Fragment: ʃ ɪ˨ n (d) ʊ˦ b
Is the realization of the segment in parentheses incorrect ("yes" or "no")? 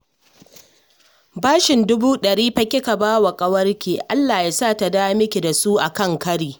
no